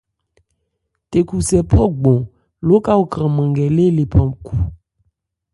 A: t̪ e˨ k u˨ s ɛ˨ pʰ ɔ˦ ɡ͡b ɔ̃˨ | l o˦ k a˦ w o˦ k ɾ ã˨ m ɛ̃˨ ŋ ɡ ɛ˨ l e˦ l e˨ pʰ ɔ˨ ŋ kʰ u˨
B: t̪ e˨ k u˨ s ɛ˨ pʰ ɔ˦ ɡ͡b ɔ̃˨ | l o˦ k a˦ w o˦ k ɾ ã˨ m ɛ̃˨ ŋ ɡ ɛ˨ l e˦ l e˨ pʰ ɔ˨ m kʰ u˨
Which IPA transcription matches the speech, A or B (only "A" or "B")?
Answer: B